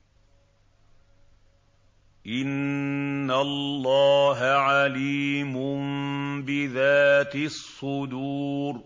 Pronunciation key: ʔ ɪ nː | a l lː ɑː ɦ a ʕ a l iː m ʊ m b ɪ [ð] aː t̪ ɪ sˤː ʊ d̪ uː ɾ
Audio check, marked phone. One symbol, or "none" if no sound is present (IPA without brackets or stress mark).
ð